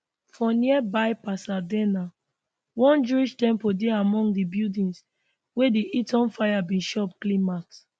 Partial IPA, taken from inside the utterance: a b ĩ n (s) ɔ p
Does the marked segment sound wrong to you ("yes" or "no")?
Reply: yes